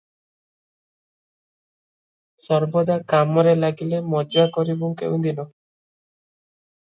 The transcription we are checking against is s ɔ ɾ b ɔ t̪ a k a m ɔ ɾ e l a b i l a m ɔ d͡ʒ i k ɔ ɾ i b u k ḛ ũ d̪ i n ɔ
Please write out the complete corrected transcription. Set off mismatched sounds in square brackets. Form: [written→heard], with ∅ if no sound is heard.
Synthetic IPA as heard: s ɔ ɾ b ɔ [t̪→d̪] a k a m ɔ ɾ e l a [b→ɡ] i l [a→e] m ɔ d͡ʒ [i→a] k ɔ ɾ i b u k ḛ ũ d̪ i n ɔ